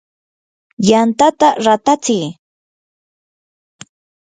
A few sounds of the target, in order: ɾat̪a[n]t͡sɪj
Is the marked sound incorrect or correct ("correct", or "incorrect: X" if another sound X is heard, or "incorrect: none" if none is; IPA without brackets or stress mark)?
incorrect: none